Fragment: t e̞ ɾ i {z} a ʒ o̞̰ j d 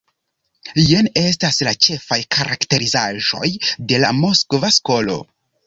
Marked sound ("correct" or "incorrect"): correct